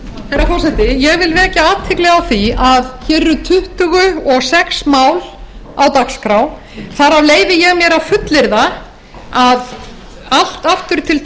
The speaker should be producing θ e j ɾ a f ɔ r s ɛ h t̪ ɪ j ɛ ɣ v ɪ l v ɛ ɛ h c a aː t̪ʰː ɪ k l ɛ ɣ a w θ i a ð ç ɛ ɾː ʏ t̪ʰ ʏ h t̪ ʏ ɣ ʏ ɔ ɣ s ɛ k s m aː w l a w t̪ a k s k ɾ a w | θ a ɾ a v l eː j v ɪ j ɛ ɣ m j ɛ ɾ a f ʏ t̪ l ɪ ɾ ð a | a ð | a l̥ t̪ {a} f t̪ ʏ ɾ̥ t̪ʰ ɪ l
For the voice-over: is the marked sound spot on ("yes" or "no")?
yes